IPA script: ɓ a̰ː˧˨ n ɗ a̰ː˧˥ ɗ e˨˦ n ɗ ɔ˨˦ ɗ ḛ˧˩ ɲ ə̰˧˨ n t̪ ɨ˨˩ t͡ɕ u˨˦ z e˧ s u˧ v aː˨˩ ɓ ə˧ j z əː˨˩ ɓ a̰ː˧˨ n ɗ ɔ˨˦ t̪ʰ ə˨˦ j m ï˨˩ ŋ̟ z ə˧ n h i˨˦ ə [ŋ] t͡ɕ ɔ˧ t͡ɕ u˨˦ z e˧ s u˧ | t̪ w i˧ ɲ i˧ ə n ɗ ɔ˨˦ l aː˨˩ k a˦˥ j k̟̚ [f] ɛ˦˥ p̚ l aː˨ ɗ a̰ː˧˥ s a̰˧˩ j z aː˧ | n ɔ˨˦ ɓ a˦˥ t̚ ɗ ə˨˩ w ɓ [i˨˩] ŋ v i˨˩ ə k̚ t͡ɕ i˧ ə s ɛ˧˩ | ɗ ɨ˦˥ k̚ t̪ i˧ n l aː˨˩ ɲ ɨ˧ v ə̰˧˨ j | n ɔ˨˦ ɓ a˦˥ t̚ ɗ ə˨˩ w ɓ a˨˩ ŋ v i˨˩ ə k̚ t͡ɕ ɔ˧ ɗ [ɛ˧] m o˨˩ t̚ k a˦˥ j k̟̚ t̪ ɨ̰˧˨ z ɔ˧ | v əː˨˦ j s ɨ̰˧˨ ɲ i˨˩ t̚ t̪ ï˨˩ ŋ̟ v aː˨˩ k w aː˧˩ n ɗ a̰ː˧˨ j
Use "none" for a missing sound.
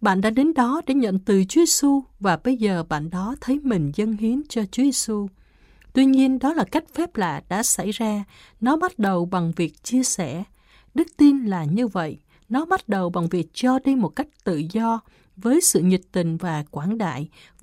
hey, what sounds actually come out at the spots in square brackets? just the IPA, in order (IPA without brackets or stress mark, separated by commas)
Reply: n, f, a˨˩, i˧